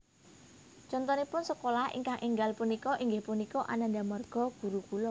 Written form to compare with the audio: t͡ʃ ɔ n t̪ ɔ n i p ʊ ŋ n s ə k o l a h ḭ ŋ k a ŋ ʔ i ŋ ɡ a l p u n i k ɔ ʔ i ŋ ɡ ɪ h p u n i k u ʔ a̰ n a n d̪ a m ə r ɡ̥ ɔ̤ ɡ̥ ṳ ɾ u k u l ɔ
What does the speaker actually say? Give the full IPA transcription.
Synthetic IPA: t͡ʃ ɔ n t̪ ɔ n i p ʊ n s ə k o l a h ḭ ŋ k a ŋ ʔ i ŋ ɡ a l p u n i k ɔ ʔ i ŋ ɡ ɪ h p u n i k ɔ ʔ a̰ n a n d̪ a m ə r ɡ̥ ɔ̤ ɡ̥ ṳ ɾ u k u l ɔ